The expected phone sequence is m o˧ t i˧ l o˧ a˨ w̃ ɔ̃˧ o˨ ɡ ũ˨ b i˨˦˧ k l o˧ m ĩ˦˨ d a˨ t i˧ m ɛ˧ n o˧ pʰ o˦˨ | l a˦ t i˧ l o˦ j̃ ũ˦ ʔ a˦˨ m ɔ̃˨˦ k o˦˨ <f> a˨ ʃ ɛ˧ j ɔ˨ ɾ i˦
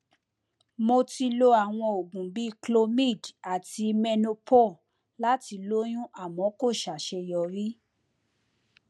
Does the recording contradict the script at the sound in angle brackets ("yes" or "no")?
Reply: yes